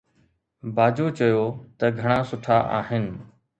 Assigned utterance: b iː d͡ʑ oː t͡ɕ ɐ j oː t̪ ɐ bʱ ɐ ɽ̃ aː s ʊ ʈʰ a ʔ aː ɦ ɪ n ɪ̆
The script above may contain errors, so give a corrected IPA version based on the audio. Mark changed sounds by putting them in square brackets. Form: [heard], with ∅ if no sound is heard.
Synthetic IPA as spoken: b [aː] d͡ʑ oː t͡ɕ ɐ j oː t̪ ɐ [ɡʱ] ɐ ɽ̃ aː s ʊ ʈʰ a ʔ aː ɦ ɪ n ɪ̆